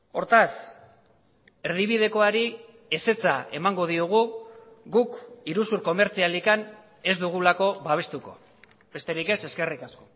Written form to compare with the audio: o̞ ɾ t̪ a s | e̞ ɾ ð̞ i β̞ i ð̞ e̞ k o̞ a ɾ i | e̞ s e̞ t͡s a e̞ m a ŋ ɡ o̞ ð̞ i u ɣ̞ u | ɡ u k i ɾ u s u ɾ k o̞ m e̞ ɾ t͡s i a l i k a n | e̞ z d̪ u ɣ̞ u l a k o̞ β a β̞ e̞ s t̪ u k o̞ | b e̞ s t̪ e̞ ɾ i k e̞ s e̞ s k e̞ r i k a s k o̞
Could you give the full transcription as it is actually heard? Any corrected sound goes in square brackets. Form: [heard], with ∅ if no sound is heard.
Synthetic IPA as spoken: o̞ ɾ t̪ a s | e̞ ɾ ð̞ i β̞ i ð̞ e̞ k o̞ a ɾ i | e̞ s e̞ t͡s a e̞ m a ŋ ɡ o̞ ð̞ i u ɣ̞ u | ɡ u k i ɾ u s u ɾ k o̞ m e̞ ɾ t͡s i a l i k a n | e̞ z d̪ u ɣ̞ u l a k o̞ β a β̞ e̞ s t̪ u k o̞ | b e̞ s t̪ e̞ ɾ i k e̞ s e̞ s k e̞ r i k a s k o̞